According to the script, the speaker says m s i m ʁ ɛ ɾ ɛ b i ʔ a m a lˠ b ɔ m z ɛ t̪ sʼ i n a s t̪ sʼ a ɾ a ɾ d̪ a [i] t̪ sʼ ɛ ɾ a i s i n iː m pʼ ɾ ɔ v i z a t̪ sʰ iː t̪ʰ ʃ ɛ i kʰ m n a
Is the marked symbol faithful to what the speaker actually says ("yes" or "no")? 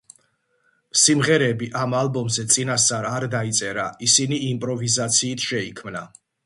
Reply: yes